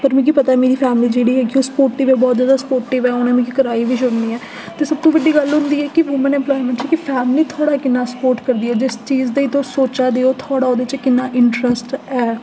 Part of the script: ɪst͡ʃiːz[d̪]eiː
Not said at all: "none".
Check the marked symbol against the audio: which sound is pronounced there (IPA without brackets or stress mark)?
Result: d̪